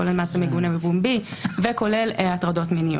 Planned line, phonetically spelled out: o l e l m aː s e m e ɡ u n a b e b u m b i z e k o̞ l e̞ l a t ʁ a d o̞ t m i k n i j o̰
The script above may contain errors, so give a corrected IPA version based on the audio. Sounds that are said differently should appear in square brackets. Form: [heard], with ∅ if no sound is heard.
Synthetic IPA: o l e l m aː s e m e ɡ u n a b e b u m b i [v] e k o̞ l e̞ l a t ʁ a d o̞ t m i [∅] n i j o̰

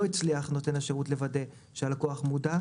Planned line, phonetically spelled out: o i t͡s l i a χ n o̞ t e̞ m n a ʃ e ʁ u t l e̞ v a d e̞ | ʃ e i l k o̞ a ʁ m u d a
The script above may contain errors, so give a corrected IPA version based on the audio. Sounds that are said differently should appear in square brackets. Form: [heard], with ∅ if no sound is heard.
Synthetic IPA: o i t͡s l i a χ n o̞ t e̞ [∅] n a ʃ e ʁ u t l e̞ v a d e̞ | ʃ e [a] l k o̞ a [χ] m u d a

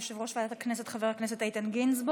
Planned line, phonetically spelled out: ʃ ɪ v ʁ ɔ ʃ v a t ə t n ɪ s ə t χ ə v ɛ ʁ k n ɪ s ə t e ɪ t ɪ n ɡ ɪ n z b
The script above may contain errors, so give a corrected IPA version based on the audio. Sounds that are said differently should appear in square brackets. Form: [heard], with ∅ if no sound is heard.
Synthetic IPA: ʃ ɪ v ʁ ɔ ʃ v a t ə [k] n ɪ s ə t χ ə v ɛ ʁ k n ɪ s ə t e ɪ t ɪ n ɡ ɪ n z b

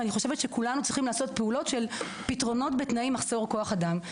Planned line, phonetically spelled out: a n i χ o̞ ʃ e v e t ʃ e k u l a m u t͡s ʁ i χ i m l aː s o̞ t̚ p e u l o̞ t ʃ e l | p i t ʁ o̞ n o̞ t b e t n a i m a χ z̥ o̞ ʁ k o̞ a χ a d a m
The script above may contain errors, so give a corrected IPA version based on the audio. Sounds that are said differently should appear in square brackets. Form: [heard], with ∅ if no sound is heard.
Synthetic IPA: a n i χ o̞ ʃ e v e t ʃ e k u l a [n] u t͡s ʁ i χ i m l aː s o̞ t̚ p e u l o̞ t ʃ e l | p i t ʁ o̞ n o̞ t b e t n a i m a χ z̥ o̞ ʁ k o̞ a χ a d a m

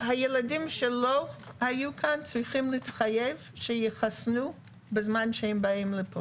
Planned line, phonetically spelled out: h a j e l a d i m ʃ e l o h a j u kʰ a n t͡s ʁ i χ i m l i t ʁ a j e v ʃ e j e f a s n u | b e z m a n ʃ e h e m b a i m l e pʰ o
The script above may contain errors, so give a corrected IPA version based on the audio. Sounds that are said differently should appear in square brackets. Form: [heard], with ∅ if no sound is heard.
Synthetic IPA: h a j e l a d i m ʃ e l o h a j u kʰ a n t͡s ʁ i χ i m l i t [χ] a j e v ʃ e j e [χ] a s n u | b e z m a n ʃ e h e m b a i m l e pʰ o

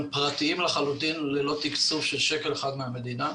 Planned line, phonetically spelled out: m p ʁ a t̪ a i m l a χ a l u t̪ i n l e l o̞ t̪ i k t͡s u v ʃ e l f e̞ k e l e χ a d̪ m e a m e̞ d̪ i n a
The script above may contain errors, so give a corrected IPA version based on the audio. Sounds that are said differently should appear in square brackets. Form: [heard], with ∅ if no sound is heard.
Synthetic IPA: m p ʁ a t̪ [i] i m l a χ a l u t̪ i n l e l o̞ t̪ i k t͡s u [f] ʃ e l [ʃ] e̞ k e l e χ a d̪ m e a m e̞ d̪ i n a

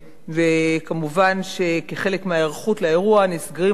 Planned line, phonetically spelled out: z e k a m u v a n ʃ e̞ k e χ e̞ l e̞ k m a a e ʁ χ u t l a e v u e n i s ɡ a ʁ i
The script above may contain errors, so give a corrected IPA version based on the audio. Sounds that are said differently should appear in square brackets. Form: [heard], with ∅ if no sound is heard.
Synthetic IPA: [v] e k a m u v a n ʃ e̞ k e χ e̞ l e̞ k m [e] a e ʁ χ u t l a e [ʁ] u [a] n i s ɡ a ʁ i

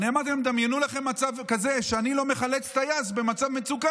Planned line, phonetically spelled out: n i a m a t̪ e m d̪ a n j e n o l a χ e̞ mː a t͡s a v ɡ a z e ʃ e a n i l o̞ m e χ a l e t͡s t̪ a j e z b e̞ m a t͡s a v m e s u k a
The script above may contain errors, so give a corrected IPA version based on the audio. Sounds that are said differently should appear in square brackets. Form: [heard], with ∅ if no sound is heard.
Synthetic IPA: n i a m a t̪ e m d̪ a [m] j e n [u] l a χ e̞ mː a t͡s a v [k] a z e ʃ e a n i l o̞ m e χ a l e t͡s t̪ a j [a] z b e̞ m a t͡s a v m e [t͡s] u k a

